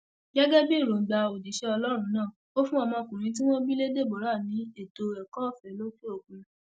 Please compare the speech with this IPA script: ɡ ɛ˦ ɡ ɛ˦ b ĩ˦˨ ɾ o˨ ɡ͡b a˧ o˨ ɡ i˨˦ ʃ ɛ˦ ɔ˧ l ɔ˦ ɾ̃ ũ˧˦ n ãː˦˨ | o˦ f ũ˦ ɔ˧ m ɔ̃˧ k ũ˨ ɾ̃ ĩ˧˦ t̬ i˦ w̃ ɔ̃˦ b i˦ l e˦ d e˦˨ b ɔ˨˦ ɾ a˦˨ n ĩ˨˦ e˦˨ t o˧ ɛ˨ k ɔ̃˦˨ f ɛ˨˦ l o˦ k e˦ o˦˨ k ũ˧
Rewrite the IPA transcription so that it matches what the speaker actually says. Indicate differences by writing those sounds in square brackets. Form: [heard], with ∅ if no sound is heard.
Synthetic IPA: ɡ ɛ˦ ɡ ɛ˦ b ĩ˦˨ ɾ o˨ ɡ͡b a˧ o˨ [d] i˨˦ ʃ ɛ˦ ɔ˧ l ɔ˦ ɾ̃ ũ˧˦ n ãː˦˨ | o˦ f ũ˦ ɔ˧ m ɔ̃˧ k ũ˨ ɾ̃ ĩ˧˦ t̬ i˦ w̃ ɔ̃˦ b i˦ l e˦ d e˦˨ b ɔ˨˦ ɾ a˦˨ n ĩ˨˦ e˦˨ t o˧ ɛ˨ k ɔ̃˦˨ f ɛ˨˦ l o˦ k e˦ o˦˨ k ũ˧